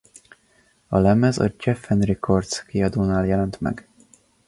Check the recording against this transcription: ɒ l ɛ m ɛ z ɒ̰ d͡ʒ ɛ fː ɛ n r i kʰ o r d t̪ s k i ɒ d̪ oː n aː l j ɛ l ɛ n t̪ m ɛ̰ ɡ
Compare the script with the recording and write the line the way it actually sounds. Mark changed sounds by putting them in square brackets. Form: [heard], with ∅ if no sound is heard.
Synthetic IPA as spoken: ɒ l ɛ m ɛ z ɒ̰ d͡ʒ ɛ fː ɛ n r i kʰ o r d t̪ s k i ɒ d̪ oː n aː l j ɛ l ɛ n t̪ m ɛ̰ ɡ